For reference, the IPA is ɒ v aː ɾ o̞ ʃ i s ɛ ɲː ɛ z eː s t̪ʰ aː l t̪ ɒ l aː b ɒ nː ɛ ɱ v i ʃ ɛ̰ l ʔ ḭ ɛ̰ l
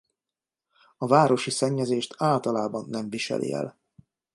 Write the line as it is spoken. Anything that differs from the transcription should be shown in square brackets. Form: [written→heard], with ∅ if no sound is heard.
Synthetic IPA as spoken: ɒ v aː ɾ o̞ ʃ i s ɛ ɲː ɛ z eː [s→ʃ] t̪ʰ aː l t̪ ɒ l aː b ɒ nː ɛ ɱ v i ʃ ɛ̰ l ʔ ḭ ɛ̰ l